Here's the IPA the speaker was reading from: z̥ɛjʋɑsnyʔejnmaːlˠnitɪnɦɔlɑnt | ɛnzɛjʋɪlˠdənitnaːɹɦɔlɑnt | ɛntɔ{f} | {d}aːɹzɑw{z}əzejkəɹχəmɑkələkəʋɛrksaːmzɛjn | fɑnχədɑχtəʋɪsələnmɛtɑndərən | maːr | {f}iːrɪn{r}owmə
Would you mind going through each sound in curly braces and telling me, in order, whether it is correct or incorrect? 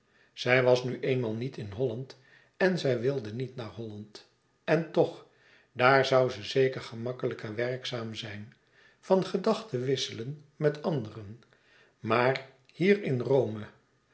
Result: incorrect: χ, correct, correct, incorrect: h, correct

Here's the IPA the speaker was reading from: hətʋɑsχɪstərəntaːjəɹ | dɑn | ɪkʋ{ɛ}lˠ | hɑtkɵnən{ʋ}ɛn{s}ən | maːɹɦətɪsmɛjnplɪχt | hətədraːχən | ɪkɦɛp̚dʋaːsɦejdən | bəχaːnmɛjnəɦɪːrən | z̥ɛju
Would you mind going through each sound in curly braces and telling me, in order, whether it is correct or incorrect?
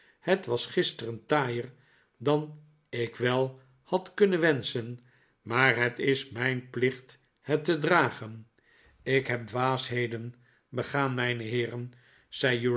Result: correct, correct, correct

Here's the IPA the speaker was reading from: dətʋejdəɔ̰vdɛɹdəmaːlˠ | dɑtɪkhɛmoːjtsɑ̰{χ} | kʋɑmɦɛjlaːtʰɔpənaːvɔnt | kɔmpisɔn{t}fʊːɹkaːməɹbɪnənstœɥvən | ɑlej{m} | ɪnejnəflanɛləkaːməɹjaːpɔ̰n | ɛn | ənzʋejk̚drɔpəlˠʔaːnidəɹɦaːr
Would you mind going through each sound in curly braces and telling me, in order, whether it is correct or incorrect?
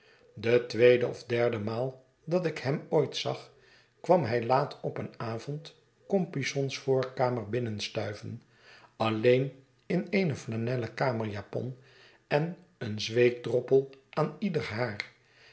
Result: correct, incorrect: s, incorrect: n

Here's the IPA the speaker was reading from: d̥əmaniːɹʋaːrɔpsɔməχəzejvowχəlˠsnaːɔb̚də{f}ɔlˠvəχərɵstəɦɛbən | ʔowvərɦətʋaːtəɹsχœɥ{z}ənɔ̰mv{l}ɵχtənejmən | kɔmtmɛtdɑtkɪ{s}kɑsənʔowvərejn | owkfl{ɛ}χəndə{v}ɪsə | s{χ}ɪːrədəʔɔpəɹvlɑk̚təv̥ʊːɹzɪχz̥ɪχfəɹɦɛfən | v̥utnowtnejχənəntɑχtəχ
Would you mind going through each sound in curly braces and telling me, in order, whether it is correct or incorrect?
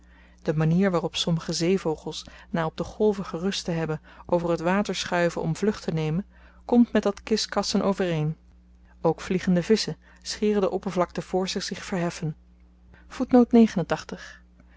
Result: incorrect: χ, incorrect: v, correct, correct, incorrect: i, correct, correct

